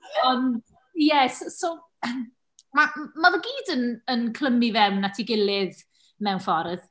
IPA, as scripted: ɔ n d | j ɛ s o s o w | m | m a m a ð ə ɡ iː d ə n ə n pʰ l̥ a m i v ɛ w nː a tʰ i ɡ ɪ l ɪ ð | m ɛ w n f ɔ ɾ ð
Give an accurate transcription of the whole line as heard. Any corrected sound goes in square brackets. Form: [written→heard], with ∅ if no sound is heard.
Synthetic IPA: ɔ n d | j ɛ s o s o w | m | m a m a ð ə ɡ iː d ə n ə n [pʰ→kʰ] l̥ [a→ə] m i v ɛ w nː a tʰ i ɡ ɪ l ɪ ð | m ɛ w n f ɔ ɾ ð